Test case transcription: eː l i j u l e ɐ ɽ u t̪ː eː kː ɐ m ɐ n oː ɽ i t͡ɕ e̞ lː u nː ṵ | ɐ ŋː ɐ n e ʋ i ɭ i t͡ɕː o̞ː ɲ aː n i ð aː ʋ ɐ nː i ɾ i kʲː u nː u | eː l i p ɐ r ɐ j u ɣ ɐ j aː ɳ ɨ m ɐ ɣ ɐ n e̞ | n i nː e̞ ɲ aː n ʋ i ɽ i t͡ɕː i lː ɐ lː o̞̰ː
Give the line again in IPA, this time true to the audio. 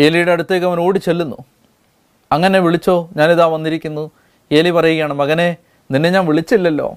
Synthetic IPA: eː l i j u ɽ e ɐ ɽ u t̪ː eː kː ɐ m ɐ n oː ɽ i t͡ɕ e̞ lː u nː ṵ | ɐ ŋː ɐ n e ʋ i ɭ i t͡ɕː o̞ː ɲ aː n i ð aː ʋ ɐ nː i ɾ i kʲː u nː u | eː l i p ɐ r ɐ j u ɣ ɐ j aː ɳ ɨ m ɐ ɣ ɐ n e̞ | n i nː e̞ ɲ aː n ʋ i ɭ i t͡ɕː i lː ɐ lː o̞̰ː